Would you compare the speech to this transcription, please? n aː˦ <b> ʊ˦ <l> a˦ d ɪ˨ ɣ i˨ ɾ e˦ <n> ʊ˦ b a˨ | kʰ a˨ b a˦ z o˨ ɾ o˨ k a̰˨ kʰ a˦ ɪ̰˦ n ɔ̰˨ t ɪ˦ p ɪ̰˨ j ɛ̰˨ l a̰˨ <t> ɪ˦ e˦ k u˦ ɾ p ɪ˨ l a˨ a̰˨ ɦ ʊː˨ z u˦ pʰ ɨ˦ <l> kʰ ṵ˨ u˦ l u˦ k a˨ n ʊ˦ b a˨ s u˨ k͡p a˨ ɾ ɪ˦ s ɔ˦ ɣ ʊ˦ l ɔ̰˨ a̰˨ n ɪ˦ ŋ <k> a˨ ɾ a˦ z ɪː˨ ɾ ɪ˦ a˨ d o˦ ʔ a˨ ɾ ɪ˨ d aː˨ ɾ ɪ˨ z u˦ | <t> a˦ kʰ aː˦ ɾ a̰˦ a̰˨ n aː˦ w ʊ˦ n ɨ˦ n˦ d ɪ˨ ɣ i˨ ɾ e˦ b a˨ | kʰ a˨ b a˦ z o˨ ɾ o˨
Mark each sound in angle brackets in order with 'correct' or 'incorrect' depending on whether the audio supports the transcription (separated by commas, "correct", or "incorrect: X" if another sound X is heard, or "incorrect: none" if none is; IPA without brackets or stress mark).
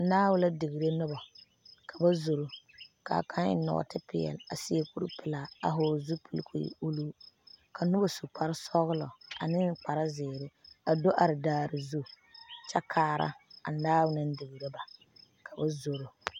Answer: incorrect: w, correct, correct, incorrect: s, correct, incorrect: k͡p, incorrect: t͡ʃ